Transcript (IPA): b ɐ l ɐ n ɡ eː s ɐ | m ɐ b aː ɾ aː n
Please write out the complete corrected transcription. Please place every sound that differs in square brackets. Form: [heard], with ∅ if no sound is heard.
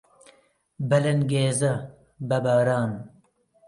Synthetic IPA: b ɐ l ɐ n ɡ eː [z] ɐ | [b] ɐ b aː ɾ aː n